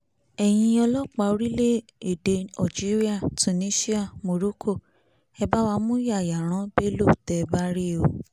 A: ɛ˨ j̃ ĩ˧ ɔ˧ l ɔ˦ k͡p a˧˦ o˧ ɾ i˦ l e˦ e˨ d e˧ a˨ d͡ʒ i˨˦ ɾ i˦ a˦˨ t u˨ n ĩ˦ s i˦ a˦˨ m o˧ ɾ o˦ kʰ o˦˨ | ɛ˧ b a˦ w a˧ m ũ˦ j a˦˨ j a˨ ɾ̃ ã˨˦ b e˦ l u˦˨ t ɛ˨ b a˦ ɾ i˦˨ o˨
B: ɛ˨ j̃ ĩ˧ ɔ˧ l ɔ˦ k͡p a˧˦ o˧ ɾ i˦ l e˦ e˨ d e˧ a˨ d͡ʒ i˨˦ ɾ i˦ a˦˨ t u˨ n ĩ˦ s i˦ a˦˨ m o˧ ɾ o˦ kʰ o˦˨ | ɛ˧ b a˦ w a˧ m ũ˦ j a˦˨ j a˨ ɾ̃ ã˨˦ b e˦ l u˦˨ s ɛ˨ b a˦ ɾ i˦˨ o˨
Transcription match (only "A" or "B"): A